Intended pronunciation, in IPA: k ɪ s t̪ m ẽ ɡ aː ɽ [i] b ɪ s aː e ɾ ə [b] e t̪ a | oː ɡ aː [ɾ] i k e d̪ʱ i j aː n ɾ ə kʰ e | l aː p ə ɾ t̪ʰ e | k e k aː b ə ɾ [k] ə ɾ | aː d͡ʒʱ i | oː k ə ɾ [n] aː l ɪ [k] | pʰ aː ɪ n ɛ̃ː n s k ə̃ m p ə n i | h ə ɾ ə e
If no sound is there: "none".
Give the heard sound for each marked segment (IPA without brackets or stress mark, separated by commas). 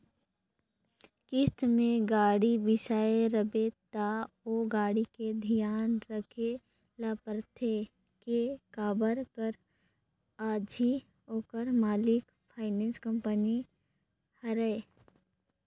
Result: i, b, ɽ, k, m, k